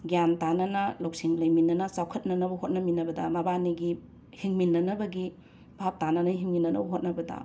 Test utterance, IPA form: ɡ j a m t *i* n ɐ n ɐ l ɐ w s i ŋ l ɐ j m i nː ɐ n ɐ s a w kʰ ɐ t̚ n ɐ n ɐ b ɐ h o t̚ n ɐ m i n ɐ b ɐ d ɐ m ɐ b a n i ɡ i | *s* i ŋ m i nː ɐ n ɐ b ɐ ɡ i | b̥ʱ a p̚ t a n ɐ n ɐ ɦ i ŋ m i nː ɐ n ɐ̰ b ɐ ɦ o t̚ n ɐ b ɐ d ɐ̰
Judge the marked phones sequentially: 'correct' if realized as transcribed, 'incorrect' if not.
incorrect: a, incorrect: h

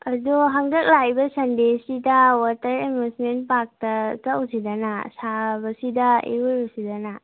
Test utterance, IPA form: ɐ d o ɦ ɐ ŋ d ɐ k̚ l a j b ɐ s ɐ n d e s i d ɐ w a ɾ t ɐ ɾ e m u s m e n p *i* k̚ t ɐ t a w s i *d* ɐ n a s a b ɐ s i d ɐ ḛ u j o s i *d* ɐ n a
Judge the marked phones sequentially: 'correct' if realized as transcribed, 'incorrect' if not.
incorrect: a, correct, correct

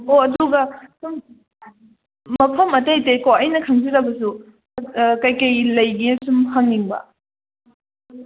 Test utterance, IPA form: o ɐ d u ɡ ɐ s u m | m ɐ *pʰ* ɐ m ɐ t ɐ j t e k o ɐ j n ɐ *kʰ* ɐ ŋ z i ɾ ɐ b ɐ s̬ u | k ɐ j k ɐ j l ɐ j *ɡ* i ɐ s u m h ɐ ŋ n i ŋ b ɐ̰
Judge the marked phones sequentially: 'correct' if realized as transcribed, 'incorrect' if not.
correct, correct, correct

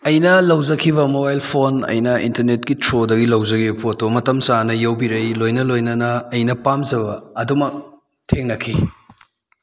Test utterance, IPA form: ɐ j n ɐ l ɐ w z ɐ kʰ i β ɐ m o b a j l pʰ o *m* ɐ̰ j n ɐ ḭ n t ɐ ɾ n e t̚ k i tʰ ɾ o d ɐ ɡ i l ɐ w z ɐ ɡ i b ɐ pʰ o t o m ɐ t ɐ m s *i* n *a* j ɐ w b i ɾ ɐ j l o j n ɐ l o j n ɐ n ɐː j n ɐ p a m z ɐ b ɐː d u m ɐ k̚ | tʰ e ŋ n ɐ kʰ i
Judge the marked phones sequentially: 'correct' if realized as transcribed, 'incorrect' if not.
incorrect: n, incorrect: a, incorrect: ɐ

